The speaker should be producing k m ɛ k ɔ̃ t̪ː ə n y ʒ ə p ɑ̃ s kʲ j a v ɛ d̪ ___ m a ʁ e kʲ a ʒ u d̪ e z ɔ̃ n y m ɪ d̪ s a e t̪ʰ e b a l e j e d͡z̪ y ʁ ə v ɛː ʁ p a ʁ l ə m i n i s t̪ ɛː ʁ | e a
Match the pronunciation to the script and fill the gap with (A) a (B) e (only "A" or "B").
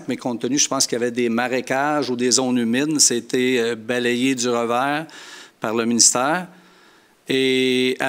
B